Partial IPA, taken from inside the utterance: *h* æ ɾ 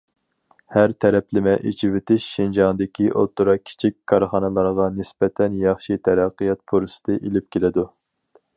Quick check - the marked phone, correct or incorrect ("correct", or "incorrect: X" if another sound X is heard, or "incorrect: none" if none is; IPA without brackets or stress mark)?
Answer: correct